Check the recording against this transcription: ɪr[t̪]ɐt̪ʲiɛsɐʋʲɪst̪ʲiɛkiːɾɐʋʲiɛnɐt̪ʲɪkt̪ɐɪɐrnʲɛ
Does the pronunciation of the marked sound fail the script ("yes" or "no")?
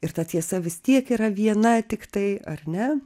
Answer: no